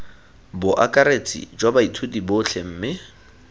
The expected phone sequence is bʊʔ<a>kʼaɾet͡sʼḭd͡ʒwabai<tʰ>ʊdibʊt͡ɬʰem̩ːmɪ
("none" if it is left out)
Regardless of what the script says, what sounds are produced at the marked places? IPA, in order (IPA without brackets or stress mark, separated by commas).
a, tʰ